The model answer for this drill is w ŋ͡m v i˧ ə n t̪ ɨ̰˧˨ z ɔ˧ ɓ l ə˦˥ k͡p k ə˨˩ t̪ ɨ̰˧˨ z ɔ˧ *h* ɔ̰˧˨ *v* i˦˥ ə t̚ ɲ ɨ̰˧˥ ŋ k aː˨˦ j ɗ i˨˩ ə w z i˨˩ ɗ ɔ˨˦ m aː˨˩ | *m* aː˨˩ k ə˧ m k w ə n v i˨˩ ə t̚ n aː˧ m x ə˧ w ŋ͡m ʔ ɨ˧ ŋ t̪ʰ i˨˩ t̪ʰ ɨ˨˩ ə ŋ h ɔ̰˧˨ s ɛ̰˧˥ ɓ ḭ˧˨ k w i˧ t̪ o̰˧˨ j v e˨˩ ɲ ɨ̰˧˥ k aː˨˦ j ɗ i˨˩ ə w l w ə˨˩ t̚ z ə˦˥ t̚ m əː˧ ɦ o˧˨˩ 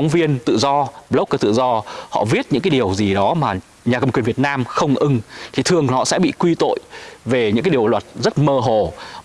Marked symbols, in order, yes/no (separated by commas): yes, yes, no